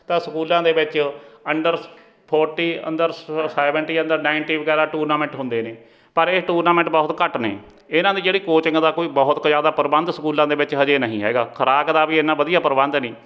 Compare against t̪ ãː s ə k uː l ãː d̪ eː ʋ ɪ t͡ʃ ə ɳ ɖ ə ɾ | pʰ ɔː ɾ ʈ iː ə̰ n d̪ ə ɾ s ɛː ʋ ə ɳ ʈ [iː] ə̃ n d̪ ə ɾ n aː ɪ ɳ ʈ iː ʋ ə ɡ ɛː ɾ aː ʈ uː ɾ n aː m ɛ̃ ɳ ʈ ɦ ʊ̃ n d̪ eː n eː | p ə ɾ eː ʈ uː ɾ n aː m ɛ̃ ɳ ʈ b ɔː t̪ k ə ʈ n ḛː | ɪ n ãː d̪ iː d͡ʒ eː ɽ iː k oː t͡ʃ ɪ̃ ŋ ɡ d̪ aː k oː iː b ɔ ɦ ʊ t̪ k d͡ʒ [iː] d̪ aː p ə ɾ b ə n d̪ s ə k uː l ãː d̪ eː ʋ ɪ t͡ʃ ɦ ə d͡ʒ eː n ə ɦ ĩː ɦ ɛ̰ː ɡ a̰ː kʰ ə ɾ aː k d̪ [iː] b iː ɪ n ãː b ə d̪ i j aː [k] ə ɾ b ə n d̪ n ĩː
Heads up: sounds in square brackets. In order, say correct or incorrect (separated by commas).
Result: correct, incorrect, incorrect, incorrect